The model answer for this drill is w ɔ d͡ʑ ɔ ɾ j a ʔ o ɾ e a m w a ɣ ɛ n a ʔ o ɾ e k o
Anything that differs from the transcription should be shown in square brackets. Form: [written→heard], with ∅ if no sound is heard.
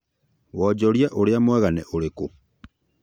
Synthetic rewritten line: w ɔ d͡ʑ ɔ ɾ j a ʔ o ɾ e a m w [a→ɛ] ɣ [ɛ→a] n [a→ɛ] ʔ o ɾ e k o